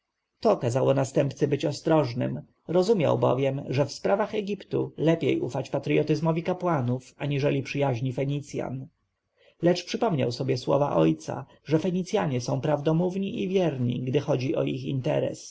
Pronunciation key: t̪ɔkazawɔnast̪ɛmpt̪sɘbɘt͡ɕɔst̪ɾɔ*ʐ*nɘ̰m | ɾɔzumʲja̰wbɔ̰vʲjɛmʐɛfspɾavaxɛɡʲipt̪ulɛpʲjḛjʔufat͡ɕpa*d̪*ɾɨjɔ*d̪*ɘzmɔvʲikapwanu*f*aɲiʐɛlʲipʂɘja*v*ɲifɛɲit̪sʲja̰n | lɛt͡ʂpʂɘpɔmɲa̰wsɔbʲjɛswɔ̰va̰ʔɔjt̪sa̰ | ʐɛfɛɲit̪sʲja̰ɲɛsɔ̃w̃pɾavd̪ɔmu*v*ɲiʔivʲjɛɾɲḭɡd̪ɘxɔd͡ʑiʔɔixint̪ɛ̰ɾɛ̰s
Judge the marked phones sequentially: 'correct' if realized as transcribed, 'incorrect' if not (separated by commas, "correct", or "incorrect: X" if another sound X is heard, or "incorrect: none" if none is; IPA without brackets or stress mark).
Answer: correct, incorrect: t̪, incorrect: t̪, correct, incorrect: ʑ, correct